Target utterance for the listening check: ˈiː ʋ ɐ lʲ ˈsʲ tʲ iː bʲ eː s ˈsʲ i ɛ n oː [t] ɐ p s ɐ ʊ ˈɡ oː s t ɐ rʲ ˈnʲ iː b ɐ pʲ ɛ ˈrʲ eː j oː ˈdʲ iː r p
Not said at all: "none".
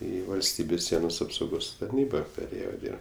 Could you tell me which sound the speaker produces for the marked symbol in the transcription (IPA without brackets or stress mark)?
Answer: s